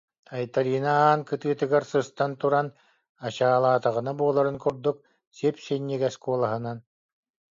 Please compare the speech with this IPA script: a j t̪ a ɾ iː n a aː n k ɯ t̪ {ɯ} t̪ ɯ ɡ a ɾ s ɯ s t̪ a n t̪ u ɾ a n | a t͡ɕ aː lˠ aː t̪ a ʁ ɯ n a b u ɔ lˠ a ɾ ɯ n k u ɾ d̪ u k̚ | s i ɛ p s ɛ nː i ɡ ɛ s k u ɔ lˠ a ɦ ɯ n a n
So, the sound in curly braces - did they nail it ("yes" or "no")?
no